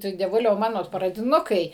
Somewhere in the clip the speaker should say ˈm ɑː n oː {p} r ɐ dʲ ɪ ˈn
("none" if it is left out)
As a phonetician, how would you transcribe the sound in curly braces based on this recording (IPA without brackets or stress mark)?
p